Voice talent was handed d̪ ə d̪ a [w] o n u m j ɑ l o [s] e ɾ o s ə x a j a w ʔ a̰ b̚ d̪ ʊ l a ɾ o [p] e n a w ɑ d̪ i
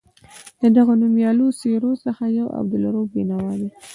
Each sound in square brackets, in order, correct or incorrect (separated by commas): incorrect, correct, incorrect